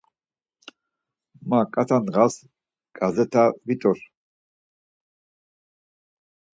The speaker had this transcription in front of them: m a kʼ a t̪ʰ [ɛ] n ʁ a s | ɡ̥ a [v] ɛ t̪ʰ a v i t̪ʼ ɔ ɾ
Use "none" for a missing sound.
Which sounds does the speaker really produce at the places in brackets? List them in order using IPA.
a, z

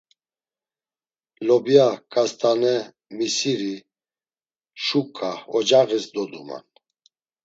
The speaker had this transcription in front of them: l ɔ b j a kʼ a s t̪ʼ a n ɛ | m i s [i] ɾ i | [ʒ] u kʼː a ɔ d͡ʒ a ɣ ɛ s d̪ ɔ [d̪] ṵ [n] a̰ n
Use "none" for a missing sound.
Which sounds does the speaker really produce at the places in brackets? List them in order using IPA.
i, ʃ, d̪, m

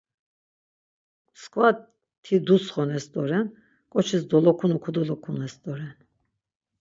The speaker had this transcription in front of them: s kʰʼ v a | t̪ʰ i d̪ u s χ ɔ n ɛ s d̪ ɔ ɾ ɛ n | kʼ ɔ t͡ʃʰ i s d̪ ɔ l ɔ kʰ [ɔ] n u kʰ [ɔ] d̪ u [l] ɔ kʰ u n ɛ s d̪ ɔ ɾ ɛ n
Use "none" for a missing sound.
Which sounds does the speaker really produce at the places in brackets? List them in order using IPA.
u, u, l

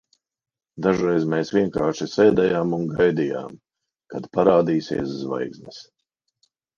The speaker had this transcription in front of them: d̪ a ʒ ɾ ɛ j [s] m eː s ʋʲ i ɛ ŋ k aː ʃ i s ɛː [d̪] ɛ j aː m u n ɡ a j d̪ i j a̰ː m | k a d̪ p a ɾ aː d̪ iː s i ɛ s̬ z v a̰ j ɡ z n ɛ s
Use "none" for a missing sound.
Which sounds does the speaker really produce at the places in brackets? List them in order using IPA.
z, d̪

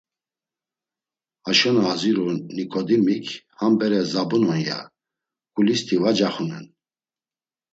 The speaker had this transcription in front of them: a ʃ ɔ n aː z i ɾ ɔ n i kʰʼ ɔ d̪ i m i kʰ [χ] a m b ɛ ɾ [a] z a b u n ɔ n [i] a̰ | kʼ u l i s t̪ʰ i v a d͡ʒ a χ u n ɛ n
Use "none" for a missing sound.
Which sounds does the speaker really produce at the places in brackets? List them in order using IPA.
h, ɛ, j

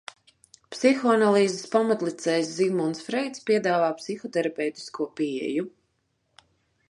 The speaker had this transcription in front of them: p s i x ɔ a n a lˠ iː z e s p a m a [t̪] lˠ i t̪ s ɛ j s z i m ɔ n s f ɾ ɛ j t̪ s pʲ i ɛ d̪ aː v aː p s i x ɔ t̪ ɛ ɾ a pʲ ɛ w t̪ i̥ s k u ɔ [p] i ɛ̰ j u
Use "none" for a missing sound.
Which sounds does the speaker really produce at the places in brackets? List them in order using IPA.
t̪, p

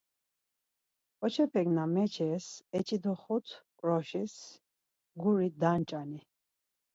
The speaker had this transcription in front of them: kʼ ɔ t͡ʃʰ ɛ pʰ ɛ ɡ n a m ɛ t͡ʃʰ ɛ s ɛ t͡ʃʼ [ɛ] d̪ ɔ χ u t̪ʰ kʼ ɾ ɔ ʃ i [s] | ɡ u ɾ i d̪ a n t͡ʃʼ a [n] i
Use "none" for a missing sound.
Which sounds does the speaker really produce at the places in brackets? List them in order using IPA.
i, s, n

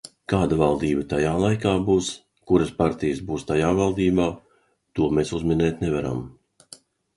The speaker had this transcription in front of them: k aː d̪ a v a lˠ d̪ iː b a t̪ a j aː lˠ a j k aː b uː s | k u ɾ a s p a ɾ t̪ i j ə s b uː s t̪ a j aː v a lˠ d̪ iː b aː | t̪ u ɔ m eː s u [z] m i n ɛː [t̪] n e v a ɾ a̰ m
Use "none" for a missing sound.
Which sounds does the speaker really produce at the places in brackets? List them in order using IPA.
z, t̪

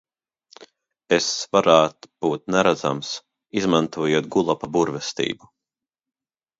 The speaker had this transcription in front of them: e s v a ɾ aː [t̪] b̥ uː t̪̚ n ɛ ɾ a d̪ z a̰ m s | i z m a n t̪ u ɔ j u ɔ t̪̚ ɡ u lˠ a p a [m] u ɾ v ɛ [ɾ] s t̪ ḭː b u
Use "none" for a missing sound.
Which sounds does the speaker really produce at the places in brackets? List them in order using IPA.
t̪, b, none

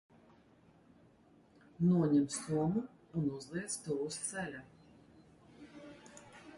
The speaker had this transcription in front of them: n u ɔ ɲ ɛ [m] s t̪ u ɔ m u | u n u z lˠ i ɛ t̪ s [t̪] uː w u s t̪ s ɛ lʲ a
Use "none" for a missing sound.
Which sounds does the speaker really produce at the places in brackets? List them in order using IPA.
m, t̪

